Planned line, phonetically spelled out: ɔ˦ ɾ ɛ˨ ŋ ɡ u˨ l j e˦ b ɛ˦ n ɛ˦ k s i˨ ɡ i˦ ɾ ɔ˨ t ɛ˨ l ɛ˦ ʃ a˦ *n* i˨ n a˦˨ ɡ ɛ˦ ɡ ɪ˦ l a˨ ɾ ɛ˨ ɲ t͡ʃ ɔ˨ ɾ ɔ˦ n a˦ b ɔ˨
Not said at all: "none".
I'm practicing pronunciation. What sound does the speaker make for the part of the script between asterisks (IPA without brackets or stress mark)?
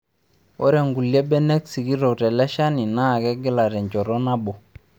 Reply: n